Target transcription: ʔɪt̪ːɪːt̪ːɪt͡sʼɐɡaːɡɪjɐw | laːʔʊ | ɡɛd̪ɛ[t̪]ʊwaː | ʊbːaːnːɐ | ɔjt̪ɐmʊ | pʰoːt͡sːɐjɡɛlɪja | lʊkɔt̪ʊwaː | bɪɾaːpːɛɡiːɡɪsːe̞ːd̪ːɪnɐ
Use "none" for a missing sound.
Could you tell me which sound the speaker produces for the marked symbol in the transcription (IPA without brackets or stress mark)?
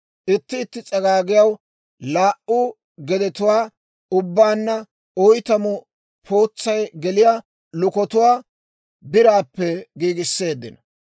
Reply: t̪